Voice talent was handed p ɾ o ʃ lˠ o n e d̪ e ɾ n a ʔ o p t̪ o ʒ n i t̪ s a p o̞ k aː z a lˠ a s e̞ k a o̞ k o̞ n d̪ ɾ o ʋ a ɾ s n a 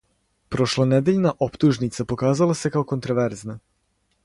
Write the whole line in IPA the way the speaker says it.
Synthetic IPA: p ɾ o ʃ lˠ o n e d̪ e ʎ n a ʔ o p t̪ u ʒ n i t̪ s a p o̞ k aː z a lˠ a s e̞ k a o̞ k o̞ n t̪ ɾ o ʋ e ɾ z n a